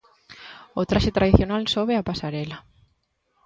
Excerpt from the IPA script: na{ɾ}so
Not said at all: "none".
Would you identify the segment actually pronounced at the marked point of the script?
l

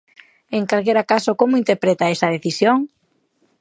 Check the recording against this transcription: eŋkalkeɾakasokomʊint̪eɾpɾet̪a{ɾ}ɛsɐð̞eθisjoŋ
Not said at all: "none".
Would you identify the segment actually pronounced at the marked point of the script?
none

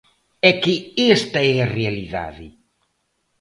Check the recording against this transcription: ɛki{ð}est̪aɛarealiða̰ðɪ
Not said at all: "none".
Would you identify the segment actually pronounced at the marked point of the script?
none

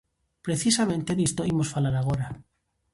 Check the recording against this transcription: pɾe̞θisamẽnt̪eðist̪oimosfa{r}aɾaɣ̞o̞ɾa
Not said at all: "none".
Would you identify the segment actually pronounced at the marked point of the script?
l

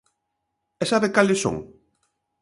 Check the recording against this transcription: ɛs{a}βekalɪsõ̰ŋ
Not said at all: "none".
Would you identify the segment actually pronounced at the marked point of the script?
a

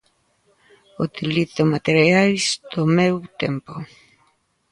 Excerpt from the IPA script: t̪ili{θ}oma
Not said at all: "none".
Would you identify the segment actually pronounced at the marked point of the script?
θ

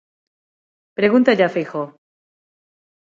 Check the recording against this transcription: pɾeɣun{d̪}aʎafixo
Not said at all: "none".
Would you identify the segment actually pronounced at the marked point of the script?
t̪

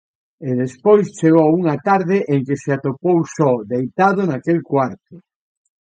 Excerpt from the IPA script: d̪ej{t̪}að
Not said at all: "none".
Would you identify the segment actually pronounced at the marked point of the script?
t̪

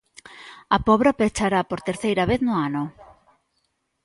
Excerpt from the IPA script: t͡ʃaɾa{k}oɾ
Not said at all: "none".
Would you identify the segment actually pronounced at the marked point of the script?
p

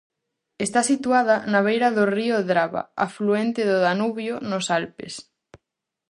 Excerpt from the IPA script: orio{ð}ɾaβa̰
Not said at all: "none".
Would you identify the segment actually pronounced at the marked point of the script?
ð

